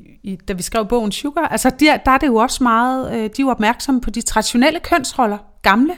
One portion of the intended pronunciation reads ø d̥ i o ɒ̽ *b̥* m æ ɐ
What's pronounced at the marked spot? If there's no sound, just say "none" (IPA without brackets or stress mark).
b̥